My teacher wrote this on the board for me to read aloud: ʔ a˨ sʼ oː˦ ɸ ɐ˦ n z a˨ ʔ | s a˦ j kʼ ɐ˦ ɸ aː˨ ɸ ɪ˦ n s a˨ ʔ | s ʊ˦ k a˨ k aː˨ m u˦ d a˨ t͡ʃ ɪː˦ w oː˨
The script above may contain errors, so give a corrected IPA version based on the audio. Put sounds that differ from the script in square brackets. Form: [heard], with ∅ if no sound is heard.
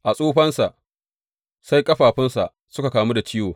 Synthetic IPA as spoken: ʔ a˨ sʼ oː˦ ɸ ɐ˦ n [s] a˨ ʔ | s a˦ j kʼ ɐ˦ ɸ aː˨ ɸ ɪ˦ n s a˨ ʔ | s ʊ˦ k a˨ k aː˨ m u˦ d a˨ t͡ʃ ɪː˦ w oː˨